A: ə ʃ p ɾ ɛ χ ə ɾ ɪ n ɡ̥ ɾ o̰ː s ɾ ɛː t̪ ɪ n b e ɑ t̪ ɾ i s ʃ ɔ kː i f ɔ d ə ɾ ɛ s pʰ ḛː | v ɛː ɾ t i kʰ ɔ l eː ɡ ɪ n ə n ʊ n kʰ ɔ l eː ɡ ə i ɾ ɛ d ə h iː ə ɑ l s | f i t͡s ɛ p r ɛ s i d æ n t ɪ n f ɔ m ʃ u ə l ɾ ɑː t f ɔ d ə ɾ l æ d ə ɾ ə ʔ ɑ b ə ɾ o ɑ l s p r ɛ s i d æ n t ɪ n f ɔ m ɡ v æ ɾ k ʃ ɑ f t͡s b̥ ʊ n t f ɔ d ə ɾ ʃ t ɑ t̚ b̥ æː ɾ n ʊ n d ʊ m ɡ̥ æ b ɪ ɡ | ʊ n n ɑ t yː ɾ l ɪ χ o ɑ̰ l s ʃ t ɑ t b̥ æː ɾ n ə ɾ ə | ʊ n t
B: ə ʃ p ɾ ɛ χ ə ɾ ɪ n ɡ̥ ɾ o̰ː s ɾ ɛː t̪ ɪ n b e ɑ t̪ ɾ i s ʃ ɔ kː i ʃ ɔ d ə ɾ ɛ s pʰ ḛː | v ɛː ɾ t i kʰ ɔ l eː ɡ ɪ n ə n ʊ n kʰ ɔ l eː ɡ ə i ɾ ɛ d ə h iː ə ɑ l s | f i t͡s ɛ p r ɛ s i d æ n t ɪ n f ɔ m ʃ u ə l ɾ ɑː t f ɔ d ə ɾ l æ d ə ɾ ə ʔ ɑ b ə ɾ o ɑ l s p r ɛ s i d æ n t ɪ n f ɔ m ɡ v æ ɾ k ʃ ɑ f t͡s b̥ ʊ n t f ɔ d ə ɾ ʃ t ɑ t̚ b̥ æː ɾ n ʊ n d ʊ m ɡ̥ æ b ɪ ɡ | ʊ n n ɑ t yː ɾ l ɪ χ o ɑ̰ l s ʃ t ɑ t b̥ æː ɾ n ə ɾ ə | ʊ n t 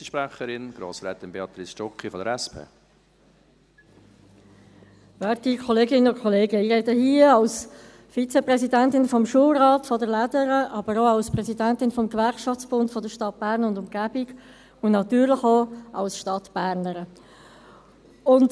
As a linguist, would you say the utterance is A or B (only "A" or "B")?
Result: A